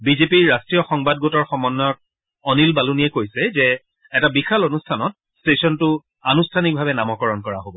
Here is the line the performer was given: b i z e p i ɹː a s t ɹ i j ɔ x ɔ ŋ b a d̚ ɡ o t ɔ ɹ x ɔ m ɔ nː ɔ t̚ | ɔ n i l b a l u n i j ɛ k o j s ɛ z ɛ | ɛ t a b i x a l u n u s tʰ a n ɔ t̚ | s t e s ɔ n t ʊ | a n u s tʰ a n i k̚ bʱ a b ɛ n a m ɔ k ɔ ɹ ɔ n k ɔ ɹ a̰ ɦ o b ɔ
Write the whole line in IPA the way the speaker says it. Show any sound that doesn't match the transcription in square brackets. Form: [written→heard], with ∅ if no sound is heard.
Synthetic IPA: b i z e p i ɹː a s t ɹ i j ɔ x ɔ ŋ b a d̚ ɡ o t ɔ ɹ x ɔ m ɔ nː ɔ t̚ | ɔ n i l b a l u n i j ɛ k o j s ɛ z ɛ | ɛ t a b i x a l [u→o] n u s tʰ a n ɔ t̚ | s t e s ɔ n t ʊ | a n u s tʰ a n i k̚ bʱ a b ɛ n a m ɔ k ɔ ɹ ɔ n k ɔ ɹ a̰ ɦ o b ɔ